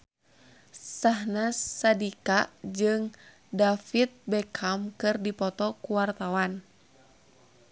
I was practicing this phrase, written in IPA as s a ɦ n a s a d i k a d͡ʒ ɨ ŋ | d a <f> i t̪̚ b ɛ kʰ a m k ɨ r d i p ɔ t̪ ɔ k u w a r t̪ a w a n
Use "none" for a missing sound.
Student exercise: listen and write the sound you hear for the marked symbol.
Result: f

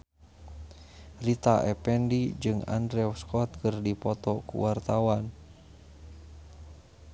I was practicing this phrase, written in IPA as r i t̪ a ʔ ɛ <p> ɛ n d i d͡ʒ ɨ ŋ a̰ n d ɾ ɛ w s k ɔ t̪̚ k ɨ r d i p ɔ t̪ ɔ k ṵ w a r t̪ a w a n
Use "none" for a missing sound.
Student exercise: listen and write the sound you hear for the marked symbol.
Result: p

